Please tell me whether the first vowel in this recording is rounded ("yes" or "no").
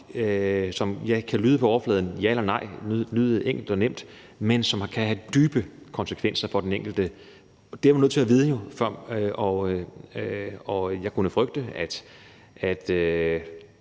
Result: yes